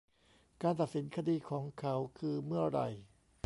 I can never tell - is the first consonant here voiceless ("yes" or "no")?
yes